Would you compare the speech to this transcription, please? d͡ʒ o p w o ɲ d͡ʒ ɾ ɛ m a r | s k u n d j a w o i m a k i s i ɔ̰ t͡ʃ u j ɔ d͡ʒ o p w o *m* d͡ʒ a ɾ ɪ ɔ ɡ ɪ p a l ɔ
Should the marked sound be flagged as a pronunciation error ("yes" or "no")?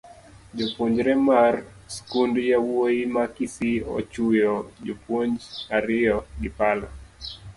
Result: yes